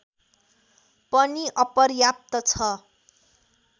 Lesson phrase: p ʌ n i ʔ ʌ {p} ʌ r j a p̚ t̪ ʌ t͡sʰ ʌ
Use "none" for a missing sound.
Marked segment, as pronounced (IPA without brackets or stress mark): p